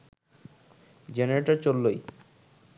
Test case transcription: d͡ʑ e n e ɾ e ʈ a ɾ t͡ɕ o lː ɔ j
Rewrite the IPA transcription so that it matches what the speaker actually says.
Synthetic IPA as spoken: d͡ʑ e n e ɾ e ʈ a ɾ t͡ɕ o lː o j